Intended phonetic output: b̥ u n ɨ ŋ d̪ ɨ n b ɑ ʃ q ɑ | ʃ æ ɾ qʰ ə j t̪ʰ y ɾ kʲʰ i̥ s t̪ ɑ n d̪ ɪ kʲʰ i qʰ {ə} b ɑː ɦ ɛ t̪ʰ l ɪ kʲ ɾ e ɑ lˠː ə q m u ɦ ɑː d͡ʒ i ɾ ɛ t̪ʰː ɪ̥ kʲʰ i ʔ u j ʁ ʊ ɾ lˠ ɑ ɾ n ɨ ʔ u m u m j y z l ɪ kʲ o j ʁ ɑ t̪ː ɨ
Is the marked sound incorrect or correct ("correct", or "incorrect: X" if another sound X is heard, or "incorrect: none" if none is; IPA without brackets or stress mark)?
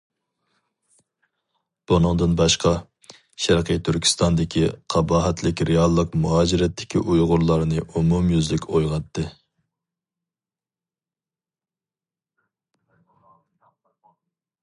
incorrect: ɑ